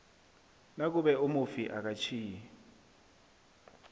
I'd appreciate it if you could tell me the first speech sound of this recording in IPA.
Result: n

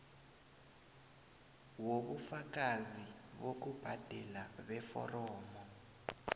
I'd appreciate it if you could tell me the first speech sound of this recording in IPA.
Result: w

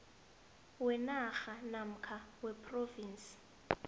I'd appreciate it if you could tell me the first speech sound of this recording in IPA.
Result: w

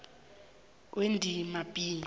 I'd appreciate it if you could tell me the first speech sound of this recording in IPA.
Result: w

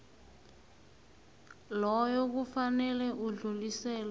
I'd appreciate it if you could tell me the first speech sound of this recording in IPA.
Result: l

